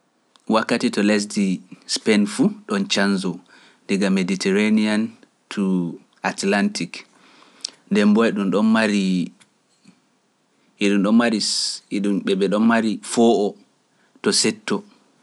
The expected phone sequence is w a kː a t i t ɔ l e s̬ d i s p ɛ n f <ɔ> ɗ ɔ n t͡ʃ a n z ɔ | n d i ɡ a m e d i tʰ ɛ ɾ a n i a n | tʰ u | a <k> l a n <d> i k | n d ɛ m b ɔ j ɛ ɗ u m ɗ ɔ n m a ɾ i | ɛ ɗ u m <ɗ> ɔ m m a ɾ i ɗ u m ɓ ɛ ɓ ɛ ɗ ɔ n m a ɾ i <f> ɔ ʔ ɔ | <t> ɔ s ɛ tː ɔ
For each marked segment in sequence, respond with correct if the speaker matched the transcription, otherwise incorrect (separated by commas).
incorrect, incorrect, incorrect, correct, correct, correct